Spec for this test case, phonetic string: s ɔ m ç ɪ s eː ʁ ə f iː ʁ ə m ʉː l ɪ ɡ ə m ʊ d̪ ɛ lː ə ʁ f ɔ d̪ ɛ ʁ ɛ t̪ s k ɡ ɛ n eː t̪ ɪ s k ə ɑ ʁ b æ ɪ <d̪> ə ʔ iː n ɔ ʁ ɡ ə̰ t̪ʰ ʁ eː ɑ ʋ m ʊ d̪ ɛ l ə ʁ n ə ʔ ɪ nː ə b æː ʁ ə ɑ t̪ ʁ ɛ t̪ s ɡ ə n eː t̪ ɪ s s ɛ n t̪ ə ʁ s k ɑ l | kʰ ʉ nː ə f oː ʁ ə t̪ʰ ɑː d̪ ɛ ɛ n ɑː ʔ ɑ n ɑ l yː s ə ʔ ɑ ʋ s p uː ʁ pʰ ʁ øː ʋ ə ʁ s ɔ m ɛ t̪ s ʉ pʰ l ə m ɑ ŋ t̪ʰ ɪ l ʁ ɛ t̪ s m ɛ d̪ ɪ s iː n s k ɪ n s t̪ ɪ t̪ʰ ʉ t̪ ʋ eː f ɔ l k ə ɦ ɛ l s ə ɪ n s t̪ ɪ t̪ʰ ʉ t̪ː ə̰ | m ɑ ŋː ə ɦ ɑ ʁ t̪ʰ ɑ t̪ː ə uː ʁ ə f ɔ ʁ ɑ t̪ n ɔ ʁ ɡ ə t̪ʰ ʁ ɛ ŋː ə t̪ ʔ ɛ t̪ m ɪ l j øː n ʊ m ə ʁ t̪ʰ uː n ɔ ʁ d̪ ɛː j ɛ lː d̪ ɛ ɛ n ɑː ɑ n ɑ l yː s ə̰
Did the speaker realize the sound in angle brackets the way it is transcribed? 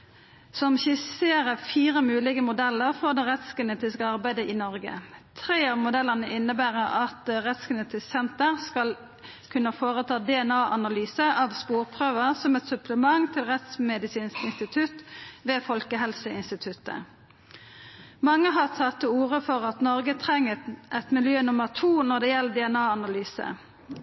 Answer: yes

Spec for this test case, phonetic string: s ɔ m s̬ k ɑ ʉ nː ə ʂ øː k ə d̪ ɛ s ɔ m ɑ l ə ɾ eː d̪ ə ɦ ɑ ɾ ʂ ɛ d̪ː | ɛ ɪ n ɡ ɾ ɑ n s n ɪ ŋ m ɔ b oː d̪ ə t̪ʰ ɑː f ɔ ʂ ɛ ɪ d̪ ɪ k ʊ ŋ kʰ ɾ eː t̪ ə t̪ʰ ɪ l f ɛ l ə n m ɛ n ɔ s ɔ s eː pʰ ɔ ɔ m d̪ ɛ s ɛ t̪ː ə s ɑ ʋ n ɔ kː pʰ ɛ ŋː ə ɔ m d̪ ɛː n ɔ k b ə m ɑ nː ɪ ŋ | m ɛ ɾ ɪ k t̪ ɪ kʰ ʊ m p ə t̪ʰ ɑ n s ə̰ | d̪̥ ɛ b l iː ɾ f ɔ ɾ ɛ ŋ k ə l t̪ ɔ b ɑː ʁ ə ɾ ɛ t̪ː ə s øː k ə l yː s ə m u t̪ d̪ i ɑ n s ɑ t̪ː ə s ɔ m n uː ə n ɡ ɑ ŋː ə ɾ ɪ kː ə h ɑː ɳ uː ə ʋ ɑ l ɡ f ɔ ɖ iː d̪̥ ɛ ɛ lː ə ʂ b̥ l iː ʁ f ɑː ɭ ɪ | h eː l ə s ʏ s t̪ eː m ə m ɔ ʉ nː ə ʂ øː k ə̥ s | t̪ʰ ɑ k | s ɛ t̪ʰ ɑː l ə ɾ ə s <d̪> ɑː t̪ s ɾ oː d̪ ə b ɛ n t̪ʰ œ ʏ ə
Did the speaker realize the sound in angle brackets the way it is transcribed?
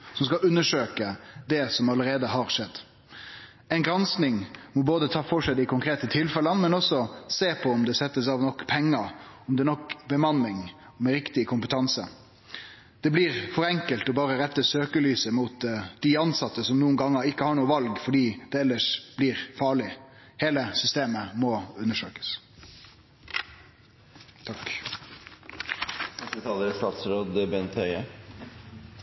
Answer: no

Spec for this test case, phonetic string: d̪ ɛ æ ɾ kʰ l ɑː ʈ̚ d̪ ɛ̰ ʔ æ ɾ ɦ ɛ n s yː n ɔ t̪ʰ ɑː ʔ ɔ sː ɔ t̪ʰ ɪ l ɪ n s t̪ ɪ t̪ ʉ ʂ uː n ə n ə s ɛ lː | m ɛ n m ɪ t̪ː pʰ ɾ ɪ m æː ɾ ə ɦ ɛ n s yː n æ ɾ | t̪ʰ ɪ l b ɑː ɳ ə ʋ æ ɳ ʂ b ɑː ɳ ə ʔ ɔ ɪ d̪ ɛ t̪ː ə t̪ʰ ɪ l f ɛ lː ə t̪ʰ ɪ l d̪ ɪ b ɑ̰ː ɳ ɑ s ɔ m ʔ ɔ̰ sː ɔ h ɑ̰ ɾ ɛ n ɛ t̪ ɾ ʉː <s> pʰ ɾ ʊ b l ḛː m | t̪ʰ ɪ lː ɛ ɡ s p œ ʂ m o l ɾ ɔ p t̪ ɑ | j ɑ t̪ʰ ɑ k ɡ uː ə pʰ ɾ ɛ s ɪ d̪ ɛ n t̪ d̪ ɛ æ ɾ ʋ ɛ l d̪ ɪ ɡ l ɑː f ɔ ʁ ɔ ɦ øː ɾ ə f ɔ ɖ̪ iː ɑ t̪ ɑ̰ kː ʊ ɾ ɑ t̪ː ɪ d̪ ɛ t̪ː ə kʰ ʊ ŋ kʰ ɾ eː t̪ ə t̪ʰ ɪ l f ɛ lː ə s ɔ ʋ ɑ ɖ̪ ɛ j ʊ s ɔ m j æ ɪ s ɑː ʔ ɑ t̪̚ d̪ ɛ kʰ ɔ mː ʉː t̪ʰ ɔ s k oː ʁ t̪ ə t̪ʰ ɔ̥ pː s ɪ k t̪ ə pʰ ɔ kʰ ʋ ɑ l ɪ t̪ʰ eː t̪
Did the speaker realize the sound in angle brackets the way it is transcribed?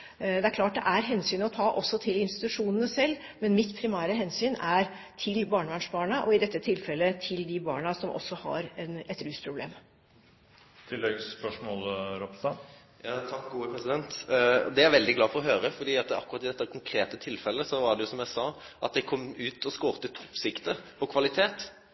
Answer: yes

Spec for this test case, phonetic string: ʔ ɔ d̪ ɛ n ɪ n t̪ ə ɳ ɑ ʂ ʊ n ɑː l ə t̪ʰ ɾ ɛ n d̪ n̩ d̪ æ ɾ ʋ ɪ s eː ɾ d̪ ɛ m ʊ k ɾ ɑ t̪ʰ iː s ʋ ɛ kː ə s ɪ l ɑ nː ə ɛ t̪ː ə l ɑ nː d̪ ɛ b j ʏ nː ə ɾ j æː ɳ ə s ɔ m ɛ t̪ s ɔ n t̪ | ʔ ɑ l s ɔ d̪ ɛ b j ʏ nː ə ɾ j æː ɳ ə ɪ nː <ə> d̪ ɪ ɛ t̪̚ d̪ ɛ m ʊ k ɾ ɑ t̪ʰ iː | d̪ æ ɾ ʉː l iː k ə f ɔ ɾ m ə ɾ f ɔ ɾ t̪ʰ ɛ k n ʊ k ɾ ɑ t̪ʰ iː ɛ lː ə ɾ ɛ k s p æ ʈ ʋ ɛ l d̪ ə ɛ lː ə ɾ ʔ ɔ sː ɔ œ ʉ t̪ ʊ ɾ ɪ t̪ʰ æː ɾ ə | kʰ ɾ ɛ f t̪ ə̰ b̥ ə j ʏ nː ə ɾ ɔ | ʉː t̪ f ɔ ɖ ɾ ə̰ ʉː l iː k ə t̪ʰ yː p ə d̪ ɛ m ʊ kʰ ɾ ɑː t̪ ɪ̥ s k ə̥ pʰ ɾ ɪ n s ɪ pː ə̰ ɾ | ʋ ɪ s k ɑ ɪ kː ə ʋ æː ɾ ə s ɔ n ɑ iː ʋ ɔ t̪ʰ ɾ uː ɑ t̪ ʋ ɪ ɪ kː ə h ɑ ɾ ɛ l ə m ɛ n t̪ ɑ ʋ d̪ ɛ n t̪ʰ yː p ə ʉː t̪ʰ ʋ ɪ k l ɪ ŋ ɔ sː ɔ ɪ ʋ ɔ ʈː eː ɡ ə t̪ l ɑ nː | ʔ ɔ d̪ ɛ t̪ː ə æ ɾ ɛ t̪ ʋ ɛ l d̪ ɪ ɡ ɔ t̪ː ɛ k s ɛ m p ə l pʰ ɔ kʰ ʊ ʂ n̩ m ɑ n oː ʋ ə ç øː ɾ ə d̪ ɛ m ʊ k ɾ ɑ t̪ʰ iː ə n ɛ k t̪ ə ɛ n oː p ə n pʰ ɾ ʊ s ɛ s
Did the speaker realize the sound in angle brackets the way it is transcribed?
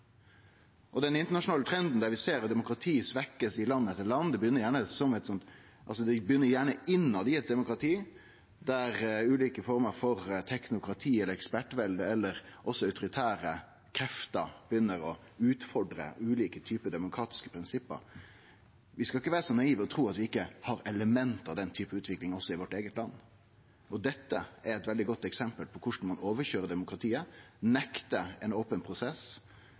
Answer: no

